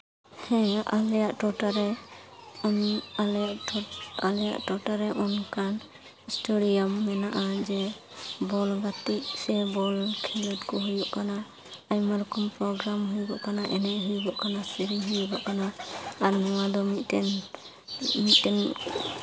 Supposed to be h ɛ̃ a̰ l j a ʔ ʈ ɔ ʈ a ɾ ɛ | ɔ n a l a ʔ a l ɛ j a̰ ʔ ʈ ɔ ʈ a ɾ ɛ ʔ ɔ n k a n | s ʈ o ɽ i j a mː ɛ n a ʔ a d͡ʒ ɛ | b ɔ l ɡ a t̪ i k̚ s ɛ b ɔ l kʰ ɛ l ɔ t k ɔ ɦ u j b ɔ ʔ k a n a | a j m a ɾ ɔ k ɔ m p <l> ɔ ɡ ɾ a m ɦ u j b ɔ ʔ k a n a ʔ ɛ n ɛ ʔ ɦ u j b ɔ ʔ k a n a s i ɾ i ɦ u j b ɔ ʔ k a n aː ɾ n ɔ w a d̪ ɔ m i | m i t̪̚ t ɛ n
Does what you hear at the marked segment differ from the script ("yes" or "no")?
yes